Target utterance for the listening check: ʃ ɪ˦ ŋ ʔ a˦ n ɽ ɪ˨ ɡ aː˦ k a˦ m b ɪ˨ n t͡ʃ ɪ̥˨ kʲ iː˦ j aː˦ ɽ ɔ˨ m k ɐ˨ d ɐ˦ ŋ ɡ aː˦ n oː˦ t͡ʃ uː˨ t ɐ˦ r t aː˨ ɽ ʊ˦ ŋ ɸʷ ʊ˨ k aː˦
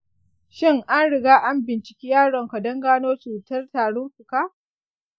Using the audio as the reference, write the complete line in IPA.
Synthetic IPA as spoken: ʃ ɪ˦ ŋ ʔ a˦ n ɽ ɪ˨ ɡ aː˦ ʔ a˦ m b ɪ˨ n t͡ʃ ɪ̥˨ kʲ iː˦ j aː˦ ɽ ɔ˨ ŋ k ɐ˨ d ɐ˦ ŋ ɡ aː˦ n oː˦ t͡ʃ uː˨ t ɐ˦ r t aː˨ ɽ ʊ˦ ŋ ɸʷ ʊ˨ k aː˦

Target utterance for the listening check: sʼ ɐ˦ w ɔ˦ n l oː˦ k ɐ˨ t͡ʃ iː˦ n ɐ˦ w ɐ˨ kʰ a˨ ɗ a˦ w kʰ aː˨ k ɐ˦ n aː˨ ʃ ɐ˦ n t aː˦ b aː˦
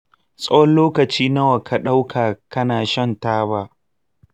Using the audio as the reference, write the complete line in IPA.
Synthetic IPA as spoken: sʼ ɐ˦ w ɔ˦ n l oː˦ k ɐ˨ t͡ʃ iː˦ n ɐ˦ w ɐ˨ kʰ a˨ ɗ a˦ w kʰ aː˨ k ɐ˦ n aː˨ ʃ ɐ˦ n t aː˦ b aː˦

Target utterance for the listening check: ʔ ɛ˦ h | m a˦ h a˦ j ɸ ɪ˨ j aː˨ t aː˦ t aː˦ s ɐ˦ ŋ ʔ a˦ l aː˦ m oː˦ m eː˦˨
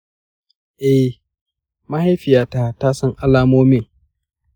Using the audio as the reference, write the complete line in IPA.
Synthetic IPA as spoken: ʔ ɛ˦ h | m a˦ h a˦ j ɸ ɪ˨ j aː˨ t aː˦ t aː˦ s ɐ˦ ŋ ʔ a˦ l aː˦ m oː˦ m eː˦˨

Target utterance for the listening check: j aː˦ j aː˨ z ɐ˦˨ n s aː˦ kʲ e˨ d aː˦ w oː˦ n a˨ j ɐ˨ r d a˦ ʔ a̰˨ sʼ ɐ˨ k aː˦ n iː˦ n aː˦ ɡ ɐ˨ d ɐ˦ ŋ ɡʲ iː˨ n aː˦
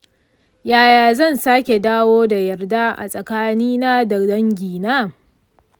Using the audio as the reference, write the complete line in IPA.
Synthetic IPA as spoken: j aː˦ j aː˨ z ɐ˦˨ n s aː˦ kʲ e˨ d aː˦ w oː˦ d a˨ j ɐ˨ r d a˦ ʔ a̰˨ sʼ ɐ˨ k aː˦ n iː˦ n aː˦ d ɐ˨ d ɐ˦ ŋ ɡʲ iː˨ n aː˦

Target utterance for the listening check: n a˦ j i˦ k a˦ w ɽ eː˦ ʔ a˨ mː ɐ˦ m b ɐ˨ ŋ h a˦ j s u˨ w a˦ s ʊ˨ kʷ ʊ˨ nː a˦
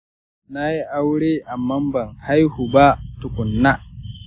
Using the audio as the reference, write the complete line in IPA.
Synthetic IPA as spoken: n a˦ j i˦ ʔ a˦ w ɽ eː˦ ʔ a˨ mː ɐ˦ m b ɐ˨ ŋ h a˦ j h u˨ b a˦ t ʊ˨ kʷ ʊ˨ nː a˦

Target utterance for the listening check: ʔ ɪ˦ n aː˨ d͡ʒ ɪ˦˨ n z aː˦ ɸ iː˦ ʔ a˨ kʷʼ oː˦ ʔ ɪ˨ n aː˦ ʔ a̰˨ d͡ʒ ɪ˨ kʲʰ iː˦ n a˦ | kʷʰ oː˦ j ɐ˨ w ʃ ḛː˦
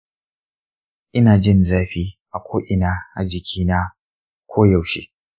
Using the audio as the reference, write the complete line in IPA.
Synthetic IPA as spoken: ʔ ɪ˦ n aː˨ d͡ʒ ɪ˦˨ n z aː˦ ɸ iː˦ ʔ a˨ kʷ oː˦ ʔ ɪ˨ n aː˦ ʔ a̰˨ d͡ʒ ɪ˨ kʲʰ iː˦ n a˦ | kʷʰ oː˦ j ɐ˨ w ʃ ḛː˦

